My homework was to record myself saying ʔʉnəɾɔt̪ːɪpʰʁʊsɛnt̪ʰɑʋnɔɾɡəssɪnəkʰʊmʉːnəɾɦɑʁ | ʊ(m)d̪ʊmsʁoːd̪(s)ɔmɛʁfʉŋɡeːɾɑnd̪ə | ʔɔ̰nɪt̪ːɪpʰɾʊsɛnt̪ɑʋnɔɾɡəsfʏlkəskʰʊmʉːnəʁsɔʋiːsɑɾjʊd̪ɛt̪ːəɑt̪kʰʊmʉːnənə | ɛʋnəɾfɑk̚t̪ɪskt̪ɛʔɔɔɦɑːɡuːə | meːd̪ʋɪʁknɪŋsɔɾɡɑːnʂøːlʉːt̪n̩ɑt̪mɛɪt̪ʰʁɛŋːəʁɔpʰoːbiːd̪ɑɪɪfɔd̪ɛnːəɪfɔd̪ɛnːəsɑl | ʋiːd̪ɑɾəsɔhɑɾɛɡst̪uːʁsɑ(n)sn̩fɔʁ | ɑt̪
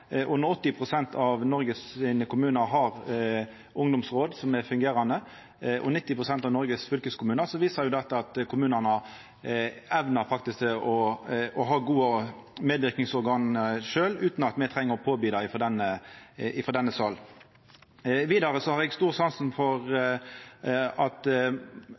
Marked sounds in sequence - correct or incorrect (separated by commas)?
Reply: incorrect, correct, correct